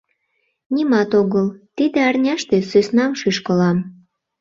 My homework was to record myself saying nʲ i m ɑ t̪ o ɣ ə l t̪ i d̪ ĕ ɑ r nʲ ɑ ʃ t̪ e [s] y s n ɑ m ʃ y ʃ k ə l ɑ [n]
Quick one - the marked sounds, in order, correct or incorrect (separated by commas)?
correct, incorrect